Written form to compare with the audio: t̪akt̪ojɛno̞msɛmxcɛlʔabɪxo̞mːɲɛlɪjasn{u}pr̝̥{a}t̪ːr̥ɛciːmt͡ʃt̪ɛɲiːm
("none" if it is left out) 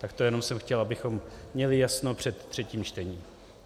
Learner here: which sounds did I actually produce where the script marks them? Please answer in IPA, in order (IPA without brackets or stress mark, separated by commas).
o, ɛ